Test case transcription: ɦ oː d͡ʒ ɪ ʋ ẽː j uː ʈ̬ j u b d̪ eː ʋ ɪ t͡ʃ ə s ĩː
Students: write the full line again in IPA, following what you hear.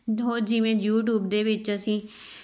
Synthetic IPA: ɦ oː d͡ʒ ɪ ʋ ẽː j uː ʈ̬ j uː b d̪ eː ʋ ɪ t͡ʃ ə s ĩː